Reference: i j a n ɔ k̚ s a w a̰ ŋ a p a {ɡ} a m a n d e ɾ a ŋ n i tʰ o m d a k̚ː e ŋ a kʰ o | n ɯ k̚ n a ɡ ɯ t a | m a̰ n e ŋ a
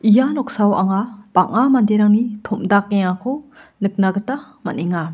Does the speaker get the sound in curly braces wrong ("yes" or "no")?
yes